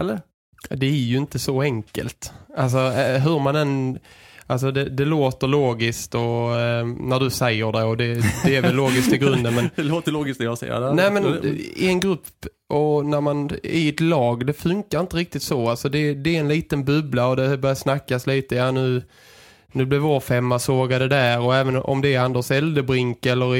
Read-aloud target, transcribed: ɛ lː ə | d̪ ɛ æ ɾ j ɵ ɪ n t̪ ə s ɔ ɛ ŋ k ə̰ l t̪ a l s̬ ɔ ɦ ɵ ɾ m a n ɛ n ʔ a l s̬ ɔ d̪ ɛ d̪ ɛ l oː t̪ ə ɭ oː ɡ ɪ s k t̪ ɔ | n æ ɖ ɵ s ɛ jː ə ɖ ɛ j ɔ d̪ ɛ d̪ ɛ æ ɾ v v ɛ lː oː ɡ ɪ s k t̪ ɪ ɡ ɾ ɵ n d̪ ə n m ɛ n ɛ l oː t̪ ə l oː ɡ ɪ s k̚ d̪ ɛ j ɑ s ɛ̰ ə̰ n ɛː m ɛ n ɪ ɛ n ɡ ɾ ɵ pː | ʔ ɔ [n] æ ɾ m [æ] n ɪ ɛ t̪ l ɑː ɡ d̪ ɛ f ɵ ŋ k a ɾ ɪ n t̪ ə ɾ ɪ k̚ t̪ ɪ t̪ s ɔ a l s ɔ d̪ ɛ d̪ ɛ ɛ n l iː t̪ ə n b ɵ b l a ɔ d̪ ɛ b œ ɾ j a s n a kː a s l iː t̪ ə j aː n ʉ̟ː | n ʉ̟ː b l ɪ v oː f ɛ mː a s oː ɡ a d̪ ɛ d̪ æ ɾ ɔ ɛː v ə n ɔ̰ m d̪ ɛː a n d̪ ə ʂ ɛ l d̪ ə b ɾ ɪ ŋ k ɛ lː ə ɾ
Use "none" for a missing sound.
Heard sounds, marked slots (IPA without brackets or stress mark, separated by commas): n, a